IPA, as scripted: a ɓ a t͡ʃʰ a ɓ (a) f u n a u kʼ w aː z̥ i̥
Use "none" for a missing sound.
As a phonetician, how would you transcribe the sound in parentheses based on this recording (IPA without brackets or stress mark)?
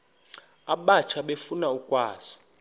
e